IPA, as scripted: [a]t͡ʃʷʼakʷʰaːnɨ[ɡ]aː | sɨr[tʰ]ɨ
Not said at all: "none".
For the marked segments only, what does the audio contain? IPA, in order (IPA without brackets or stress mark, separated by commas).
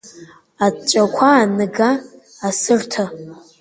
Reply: a, ɡ, tʰ